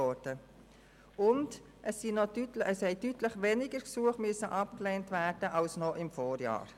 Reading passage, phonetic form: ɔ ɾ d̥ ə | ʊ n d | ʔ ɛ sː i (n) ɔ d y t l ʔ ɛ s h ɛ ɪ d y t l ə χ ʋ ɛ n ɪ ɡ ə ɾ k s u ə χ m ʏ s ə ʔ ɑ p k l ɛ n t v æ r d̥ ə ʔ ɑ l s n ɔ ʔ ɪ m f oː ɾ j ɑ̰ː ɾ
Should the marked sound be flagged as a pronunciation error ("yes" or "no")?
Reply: no